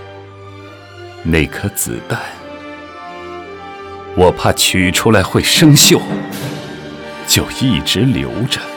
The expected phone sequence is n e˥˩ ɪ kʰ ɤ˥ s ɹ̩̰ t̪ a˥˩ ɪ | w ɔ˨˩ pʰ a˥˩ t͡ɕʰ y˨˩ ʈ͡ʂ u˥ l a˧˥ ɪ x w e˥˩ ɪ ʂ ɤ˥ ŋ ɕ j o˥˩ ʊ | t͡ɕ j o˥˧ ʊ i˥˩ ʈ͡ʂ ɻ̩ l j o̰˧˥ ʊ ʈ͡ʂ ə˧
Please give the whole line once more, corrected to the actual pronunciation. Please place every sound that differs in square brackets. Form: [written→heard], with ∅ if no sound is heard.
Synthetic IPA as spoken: n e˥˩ ɪ kʰ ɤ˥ [s→t͡s] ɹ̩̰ t̪ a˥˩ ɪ | w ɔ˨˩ pʰ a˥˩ t͡ɕʰ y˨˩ [ʈ͡ʂ→ʈ͡ʂʰ] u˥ l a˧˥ ɪ x w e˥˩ ɪ ʂ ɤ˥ ŋ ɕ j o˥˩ ʊ | t͡ɕ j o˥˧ ʊ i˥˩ ʈ͡ʂ ɻ̩ l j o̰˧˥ ʊ ʈ͡ʂ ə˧